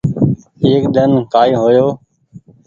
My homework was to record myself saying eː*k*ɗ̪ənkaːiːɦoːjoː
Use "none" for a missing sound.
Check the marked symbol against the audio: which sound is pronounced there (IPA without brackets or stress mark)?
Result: k